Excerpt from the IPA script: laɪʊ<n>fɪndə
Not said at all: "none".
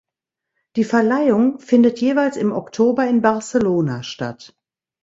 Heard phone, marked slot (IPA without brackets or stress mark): ŋ